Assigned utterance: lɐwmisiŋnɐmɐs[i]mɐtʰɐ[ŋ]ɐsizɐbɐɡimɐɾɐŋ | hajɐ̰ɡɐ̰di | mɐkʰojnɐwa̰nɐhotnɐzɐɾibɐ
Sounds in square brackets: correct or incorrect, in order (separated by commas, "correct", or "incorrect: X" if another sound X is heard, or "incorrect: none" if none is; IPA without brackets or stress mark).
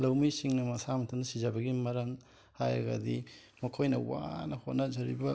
incorrect: a, incorrect: n